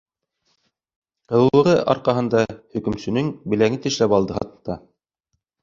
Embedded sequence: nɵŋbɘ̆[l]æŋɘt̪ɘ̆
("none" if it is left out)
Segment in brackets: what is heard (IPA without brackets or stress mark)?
l